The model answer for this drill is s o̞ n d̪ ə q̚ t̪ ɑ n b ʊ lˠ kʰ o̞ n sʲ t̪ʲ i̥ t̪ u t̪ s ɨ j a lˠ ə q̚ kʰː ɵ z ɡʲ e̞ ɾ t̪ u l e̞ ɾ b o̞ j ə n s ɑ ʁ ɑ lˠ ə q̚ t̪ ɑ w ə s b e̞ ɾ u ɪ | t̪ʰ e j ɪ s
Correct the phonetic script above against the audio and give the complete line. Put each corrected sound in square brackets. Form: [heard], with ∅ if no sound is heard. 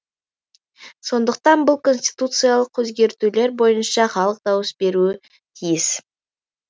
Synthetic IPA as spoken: s o̞ n d̪ ə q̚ t̪ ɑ n b ʊ lˠ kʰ o̞ n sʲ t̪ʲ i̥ t̪ u t̪ s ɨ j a lˠ ə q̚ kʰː ɵ z ɡʲ e̞ ɾ t̪ u l e̞ ɾ b o̞ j ə n [ʃ] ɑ [χ] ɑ lˠ ə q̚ [d̪] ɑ w ə s b e̞ ɾ u ɪ | t̪ʰ [i] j ɪ s

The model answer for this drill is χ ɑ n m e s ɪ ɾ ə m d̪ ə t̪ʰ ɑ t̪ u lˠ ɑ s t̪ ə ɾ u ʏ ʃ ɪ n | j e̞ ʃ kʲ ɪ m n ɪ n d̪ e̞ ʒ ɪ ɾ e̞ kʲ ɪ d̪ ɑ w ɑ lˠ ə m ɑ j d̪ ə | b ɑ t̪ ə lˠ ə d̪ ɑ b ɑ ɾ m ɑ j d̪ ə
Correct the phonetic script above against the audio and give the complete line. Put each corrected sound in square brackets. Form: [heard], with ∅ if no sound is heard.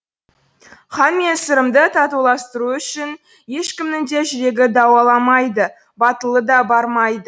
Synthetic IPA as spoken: χ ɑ n m e s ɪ ɾ ə m d̪ ə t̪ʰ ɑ t̪ u lˠ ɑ s t̪ ə ɾ u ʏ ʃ ɪ n | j e̞ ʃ kʲ ɪ m n ɪ [ŋ] d̪ e̞ ʒ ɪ ɾ e̞ [ɡʲ] ɪ d̪ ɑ w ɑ lˠ [ɑ] m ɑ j d̪ ə | b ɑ t̪ ə lˠ ə d̪ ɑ b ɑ ɾ m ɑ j d̪ ə

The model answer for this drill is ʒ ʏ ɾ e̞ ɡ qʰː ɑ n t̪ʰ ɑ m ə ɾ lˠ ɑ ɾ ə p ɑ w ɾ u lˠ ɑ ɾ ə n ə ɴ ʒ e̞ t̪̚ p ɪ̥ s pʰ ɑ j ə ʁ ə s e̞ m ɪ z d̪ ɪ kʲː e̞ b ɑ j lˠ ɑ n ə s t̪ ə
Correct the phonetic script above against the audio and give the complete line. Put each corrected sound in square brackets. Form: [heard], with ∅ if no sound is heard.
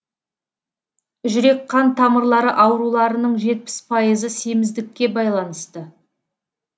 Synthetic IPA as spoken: ʒ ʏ ɾ e̞ [k] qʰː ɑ n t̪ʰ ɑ m ə ɾ lˠ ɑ ɾ ə [ʔ] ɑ w ɾ u lˠ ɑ ɾ ə n ə ɴ ʒ e̞ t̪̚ p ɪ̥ s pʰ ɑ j ə [z] ə s e̞ m ɪ z d̪ ɪ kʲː e̞ b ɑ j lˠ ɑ n ə s t̪ ə

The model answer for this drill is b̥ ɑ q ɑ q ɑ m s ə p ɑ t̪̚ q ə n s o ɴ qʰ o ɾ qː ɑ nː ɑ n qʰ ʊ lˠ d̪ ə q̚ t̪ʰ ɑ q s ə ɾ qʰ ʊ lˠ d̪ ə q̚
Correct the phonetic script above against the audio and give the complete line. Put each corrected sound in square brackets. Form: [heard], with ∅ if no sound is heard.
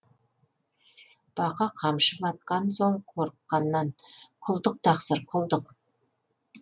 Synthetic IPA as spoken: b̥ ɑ q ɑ [qʰ] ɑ m [ʃ] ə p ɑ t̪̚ q [ɑ] n s o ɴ qʰ o ɾ qː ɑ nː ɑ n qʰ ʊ lˠ d̪ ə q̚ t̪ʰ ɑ q s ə ɾ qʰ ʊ lˠ d̪ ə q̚

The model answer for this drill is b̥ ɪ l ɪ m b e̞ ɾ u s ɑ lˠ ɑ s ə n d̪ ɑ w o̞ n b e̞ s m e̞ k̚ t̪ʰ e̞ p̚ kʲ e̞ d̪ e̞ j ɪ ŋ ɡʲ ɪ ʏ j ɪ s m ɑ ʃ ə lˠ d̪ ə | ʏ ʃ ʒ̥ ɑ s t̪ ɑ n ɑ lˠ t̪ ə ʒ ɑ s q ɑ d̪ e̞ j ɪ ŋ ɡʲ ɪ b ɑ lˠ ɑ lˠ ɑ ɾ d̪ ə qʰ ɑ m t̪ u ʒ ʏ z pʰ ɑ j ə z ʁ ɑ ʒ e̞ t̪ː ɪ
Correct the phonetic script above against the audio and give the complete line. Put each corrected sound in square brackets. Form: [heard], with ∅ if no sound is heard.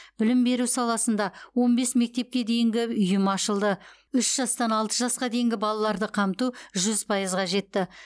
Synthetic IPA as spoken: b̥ ɪ l ɪ m b e̞ ɾ u s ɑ lˠ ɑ s ə n d̪ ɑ w o̞ n b e̞ s m e̞ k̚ [t̪] e̞ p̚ kʲ e̞ d̪ e̞ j ɪ ŋ ɡʲ ɪ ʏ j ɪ [∅] m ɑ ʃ ə lˠ d̪ ə | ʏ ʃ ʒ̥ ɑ s t̪ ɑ n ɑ lˠ t̪ ə ʒ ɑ s q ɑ d̪ e̞ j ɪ ŋ ɡʲ ɪ b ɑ lˠ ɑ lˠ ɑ ɾ d̪ ə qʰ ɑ m t̪ u ʒ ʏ z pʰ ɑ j ə z ʁ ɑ ʒ e̞ t̪ː ɪ

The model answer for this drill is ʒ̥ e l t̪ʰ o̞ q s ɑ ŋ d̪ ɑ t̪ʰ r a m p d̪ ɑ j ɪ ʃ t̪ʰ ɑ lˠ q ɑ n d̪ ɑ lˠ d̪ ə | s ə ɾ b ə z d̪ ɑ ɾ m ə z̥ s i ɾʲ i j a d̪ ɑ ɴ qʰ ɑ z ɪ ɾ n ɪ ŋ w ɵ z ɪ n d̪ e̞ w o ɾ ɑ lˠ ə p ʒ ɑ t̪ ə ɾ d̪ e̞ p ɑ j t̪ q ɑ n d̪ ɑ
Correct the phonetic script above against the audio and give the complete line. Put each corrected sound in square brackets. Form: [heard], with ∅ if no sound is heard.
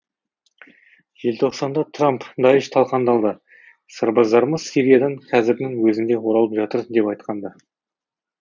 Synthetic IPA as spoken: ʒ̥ e l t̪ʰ o̞ q s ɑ [n] d̪ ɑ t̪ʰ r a m p d̪ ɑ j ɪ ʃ t̪ʰ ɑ lˠ q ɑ n d̪ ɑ lˠ d̪ ə | s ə ɾ b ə z d̪ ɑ ɾ m ə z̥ s i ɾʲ i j a d̪ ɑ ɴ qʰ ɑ z ɪ ɾ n ɪ ŋ w ɵ z ɪ n d̪ e̞ w o ɾ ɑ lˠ ə p ʒ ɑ t̪ ə ɾ d̪ e̞ p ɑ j t̪ q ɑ n d̪ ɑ

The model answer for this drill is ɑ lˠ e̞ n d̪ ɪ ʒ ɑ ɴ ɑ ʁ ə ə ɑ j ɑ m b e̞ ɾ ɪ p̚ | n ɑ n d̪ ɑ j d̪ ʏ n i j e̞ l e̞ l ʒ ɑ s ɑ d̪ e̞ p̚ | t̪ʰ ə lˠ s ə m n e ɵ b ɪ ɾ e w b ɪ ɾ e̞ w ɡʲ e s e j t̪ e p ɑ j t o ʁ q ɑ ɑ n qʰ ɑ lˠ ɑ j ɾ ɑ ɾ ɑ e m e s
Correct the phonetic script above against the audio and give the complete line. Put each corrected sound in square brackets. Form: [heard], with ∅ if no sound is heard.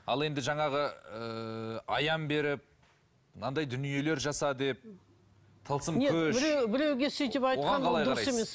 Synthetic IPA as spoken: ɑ lˠ e̞ n d̪ ɪ ʒ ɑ ɴ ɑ ʁ ə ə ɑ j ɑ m b e̞ ɾ ɪ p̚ | n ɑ n d̪ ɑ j d̪ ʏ n i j e̞ l e̞ [ɾ] ʒ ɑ s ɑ d̪ e̞ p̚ | t̪ʰ ə lˠ s ə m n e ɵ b ɪ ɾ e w b ɪ ɾ e̞ w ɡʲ e s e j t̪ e p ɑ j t o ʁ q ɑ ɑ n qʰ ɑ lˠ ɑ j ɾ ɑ ɾ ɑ e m e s

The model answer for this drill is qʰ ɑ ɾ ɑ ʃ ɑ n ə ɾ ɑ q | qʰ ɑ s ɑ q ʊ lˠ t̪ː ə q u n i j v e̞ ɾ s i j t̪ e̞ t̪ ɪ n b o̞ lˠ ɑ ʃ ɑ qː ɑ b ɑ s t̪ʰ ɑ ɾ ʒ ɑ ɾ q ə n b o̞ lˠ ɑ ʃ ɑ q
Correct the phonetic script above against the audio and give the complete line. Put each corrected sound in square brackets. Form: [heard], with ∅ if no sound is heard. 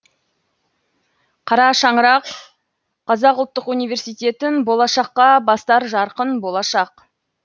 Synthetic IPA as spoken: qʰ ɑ ɾ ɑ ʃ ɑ [ɴ] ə ɾ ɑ q | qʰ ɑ [z] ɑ q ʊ lˠ t̪ː ə q u n i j v e̞ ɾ s i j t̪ e̞ t̪ ɪ n b o̞ lˠ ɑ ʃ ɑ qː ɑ b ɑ s [t̪] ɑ ɾ ʒ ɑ ɾ q ə n b o̞ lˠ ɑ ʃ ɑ q

